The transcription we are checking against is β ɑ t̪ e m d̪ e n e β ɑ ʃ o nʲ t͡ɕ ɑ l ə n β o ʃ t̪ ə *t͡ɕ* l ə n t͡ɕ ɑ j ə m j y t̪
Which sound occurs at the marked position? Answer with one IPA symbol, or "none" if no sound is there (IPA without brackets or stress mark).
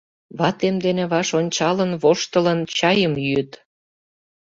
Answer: none